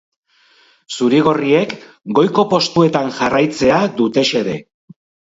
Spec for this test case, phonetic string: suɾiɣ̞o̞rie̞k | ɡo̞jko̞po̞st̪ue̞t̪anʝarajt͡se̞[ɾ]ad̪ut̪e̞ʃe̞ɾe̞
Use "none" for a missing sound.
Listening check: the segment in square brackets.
none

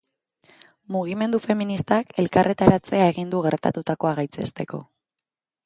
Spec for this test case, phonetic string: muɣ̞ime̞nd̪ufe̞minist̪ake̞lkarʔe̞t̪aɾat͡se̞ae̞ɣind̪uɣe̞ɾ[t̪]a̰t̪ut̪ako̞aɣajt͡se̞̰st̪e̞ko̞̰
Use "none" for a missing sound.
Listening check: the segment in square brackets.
t̪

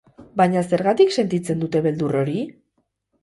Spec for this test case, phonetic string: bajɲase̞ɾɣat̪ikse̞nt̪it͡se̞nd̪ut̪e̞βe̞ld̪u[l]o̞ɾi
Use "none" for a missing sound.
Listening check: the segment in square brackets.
r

